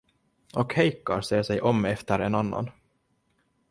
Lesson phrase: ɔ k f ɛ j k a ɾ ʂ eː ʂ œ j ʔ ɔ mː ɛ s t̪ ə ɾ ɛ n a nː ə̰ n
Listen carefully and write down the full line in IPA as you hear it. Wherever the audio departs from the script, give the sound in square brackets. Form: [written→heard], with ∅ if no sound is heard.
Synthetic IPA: ɔ k [f→h] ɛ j k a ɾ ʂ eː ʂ [œ→ɛ] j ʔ ɔ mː ɛ [s→f] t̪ ə ɾ ɛ n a nː [ə̰→a̰] n